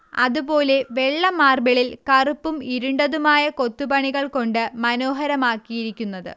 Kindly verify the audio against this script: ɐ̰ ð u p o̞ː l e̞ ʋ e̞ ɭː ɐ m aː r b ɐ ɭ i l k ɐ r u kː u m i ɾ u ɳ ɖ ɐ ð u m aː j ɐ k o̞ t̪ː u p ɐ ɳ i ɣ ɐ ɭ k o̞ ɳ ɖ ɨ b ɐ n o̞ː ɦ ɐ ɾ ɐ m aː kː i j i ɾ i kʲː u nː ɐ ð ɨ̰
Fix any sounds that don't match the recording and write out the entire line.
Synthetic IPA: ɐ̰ ð u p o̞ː l e̞ ʋ e̞ ɭː ɐ m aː r b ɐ ɭ i l k ɐ r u pː u m i ɾ u ɳ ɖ ɐ ð u m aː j ɐ k o̞ t̪ː u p ɐ ɳ i ɣ ɐ ɭ k o̞ ɳ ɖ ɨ m ɐ n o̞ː ɦ ɐ ɾ ɐ m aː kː i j i ɾ i kʲː u nː ɐ ð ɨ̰